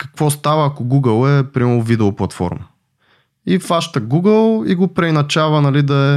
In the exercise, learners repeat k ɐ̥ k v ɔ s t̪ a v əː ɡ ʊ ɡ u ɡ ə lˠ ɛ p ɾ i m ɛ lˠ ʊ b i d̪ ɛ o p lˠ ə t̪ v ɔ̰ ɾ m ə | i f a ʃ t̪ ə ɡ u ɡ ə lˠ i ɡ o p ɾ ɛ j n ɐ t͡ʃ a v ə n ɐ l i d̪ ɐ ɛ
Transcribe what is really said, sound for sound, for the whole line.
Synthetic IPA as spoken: k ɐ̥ k v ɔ s t̪ a v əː k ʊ ɡ u ɡ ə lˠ ɛ p ɾ i m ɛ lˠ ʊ v i d̪ ɛ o p lˠ ɐ t̪ f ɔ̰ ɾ m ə | i f a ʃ t̪ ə ɡ u ɡ ə lˠ i ɡ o p ɾ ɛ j n ɐ t͡ʃ a v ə n ɐ l i d̪ ɐ ɛ